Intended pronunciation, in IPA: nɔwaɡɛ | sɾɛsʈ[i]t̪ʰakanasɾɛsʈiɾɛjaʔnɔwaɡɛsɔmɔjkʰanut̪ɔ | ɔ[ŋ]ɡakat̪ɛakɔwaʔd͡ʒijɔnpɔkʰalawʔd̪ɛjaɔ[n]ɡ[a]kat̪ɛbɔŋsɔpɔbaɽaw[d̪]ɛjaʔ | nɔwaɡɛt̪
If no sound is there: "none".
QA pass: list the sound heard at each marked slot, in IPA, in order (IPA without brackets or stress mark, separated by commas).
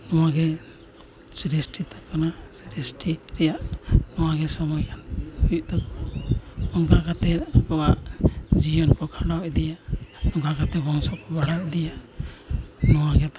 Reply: i, ŋ, ŋ, a, d̪